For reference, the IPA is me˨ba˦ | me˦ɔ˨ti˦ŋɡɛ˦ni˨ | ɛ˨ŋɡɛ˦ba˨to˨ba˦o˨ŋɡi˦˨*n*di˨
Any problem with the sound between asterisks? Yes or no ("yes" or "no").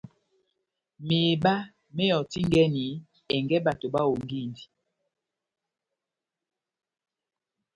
no